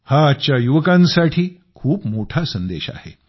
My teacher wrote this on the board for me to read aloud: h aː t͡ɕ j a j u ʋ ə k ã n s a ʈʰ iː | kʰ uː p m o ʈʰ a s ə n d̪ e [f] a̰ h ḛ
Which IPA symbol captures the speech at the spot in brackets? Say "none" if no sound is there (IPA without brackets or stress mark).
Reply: ɕ